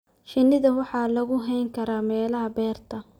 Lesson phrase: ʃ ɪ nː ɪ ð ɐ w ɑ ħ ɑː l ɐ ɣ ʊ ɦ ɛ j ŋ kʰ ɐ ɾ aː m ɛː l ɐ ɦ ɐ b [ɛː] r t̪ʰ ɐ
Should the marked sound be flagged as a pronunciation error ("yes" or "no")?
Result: no